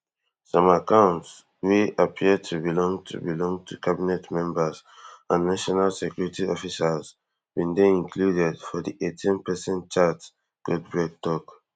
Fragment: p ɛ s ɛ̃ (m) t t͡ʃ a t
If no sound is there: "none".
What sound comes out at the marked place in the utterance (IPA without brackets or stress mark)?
n